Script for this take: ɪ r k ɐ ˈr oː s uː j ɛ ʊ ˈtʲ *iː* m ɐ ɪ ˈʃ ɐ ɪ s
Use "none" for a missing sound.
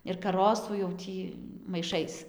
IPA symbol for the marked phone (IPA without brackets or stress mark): iː